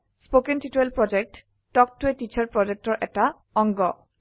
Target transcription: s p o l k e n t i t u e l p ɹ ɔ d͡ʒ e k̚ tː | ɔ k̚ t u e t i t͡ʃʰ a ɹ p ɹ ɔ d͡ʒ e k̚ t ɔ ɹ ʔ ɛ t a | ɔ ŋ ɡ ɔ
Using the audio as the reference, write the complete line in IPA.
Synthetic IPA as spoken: s p o k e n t i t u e l p ɹ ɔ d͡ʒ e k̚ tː | ɔ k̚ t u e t i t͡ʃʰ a ɹ p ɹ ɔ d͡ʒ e k̚ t ɔ ɹ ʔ ɛ t a | ɔ ŋ ɡ ɔ